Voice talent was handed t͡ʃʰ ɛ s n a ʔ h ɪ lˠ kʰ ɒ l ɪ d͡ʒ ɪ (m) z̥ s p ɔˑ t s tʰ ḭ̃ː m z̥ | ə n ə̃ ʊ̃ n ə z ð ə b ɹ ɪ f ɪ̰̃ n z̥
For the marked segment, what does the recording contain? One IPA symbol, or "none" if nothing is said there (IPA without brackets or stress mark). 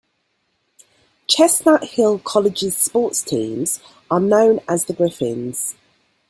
none